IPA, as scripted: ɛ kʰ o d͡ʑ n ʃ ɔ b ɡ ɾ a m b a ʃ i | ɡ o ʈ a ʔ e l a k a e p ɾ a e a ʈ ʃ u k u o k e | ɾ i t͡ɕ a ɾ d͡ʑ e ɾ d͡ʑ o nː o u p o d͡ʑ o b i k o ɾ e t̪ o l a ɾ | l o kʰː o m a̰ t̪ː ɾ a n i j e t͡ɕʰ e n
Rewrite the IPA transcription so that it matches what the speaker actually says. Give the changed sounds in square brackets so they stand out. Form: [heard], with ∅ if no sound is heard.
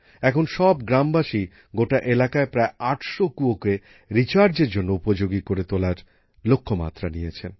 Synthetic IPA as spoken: ɛ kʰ o [∅] n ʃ ɔ b ɡ ɾ a m b a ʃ i | ɡ o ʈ a ʔ e l a k a e p ɾ a e a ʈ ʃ [o] k u o k e | ɾ i t͡ɕ a ɾ d͡ʑ e ɾ d͡ʑ o nː o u p o d͡ʑ o [ɡ] i k o ɾ e t̪ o l a ɾ | l o kʰː o m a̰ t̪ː ɾ a n i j e t͡ɕʰ e n